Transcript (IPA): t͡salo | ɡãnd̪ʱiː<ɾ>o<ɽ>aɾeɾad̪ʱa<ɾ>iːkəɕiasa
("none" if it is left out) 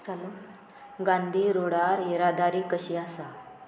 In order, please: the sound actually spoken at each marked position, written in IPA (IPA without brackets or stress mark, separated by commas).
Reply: ɾ, ɽ, ɾ